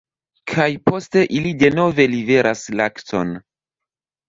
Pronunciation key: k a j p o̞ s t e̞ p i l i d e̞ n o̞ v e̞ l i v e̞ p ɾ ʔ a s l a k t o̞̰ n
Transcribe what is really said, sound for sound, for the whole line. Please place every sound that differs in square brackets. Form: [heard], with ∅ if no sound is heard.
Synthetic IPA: [kʰ] a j p o̞ s t e̞ [ʔ] i l i d e̞ n o̞ v e̞ l i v e̞ [∅] ɾ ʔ a s l a k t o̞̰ n